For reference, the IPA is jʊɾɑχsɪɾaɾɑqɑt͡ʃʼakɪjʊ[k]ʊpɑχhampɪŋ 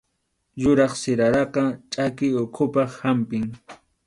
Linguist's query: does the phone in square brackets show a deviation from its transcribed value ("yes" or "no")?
yes